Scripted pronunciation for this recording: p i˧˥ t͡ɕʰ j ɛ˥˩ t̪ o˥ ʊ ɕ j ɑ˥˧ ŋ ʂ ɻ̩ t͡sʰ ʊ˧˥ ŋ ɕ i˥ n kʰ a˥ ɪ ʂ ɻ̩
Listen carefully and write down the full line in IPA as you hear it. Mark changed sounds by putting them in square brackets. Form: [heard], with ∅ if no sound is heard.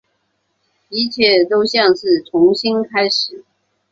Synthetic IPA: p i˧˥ t͡ɕʰ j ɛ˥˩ t̪ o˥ ʊ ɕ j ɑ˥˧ ŋ ʂ ɻ̩ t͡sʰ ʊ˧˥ ŋ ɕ i˥ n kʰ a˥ ɪ ʂ ɻ̩